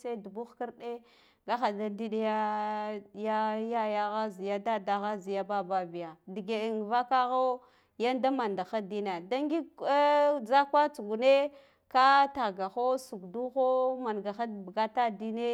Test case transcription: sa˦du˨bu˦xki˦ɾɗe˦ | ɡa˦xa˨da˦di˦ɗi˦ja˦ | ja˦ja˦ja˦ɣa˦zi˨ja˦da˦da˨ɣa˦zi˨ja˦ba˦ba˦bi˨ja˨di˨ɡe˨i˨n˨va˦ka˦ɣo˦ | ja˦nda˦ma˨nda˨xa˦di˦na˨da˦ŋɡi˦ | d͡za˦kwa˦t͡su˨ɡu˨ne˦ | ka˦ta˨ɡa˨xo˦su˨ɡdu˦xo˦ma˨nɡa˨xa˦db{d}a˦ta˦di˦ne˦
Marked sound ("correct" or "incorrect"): incorrect